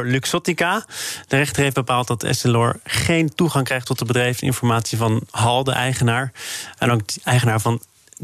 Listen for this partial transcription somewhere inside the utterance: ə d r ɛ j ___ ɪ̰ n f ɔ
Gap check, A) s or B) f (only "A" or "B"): B